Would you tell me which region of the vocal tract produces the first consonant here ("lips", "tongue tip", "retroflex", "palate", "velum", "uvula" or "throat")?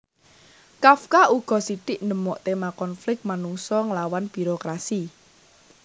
velum